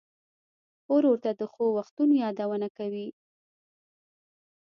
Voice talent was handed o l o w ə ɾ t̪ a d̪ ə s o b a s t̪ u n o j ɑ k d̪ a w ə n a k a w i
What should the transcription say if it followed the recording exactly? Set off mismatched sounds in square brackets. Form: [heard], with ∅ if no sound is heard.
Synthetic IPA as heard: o [ɾ] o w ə ɾ t̪ a d̪ ə [x] o [w] a [x] t̪ u n o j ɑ [∅] d̪ a w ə n a k a w i

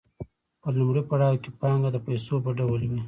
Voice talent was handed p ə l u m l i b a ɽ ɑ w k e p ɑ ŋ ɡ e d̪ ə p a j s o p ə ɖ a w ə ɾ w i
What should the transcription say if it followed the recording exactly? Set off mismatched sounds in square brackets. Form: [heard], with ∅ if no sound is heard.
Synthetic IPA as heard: p ə l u m [ɽ] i [p] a ɽ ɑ w k e p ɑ ŋ ɡ [a] d̪ ə p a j s o p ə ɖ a w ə [l] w i

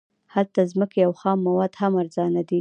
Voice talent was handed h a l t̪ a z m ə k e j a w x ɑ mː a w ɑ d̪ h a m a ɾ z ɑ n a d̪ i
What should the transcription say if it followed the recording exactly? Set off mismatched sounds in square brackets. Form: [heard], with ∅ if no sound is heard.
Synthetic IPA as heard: h a l t̪ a z m ə k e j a w x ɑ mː a w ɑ d̪ h a m a ɾ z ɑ n a d̪ i

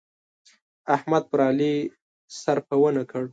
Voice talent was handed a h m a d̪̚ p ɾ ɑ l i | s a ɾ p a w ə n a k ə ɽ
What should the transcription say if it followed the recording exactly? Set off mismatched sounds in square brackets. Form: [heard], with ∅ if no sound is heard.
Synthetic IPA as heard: a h m a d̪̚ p ɾ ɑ l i | s a ɾ p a w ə n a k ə ɽ

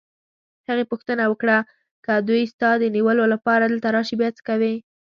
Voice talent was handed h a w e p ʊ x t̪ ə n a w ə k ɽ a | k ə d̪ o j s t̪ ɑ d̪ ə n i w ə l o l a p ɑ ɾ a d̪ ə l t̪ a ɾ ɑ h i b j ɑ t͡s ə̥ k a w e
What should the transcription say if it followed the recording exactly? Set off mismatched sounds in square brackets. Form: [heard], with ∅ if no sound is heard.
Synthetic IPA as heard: h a [ɣ] e p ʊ x t̪ ə n a w ə k ɽ a | k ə d̪ [u] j s t̪ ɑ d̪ ə n i w ə l o l a p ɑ ɾ a d̪ ə l t̪ a ɾ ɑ [ʃ] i b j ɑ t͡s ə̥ k a w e

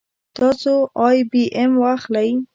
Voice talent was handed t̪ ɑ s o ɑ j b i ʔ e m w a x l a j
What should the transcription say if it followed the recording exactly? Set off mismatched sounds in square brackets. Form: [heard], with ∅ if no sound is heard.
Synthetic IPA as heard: t̪ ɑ s o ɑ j b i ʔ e m w a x l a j

